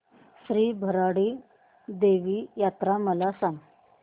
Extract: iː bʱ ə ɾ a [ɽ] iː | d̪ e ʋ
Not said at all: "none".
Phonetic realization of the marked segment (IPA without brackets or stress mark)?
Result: ɽ